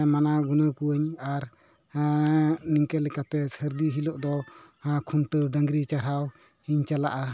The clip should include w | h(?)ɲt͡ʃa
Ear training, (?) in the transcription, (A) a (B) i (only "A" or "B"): B